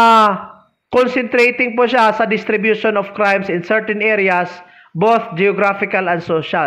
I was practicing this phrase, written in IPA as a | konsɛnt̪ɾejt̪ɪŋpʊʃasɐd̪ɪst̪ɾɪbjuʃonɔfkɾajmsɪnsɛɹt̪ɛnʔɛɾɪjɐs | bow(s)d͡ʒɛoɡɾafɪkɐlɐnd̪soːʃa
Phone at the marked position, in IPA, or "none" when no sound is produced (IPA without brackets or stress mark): θ